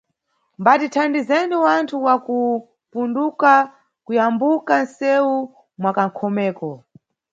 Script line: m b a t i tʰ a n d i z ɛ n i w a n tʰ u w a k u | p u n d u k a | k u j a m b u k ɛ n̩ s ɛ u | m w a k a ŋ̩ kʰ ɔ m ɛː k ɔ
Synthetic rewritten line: m b a t i tʰ a n d i z ɛ n i w a n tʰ u w a k u | p u n d u k a | k u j a m b u k a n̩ s ɛ u | m w a k a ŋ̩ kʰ ɔ m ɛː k ɔ